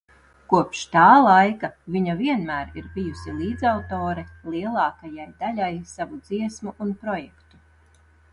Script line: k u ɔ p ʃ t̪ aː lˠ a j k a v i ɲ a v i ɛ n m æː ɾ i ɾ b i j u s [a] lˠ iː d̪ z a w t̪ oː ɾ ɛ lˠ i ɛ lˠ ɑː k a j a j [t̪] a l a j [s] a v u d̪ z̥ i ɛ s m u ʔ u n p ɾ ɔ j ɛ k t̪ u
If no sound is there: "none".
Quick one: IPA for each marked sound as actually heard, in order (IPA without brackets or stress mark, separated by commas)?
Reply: i, d̪, s